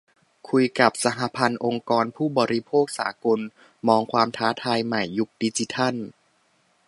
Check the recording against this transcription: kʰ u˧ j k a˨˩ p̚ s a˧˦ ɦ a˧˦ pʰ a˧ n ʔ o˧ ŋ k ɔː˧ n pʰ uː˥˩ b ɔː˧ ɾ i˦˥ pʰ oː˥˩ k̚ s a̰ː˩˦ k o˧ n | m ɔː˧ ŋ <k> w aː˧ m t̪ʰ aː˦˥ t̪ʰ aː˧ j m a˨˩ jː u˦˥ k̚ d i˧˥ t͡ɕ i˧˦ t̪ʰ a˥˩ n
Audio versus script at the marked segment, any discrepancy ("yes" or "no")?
yes